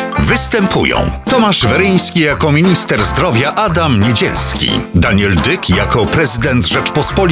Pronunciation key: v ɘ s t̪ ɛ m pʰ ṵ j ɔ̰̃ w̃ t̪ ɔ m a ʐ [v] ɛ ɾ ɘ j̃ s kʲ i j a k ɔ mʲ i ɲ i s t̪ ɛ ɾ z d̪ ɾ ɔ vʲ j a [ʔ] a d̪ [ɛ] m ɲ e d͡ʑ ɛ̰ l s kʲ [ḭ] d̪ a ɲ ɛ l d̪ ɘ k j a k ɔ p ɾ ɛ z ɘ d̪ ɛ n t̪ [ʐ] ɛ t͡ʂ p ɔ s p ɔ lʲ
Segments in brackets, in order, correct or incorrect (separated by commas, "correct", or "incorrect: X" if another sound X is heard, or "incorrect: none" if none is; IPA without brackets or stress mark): correct, correct, incorrect: a, correct, correct